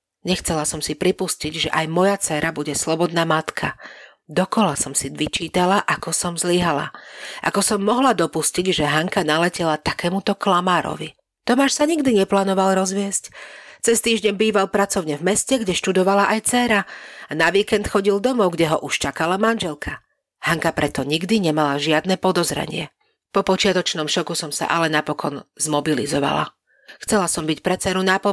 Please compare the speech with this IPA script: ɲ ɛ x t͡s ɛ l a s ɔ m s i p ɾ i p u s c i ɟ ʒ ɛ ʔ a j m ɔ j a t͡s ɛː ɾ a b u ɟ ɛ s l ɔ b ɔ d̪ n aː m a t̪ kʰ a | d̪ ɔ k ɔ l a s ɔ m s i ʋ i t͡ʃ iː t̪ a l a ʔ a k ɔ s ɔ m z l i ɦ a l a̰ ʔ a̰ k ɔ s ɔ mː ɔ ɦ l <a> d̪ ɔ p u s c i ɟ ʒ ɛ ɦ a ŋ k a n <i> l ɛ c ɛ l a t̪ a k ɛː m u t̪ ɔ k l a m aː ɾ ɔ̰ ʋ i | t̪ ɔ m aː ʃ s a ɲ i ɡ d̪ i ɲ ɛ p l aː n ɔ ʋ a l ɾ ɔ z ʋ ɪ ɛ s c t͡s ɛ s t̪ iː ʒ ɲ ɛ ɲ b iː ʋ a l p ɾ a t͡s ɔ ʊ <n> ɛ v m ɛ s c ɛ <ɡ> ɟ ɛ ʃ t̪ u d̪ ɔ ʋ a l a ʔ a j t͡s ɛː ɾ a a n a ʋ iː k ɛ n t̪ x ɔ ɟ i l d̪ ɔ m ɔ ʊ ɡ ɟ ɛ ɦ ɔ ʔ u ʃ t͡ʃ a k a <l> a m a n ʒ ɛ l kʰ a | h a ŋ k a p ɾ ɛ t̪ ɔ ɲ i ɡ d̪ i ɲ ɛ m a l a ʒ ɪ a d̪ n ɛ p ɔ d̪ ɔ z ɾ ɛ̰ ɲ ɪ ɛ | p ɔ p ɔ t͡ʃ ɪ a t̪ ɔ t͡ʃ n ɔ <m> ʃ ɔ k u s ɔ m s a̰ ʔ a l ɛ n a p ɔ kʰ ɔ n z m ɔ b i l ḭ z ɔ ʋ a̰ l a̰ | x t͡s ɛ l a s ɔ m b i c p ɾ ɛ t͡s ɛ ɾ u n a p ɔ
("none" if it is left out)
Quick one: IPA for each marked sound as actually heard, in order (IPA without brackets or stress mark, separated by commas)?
a, a, ɲ, ɡ, l, m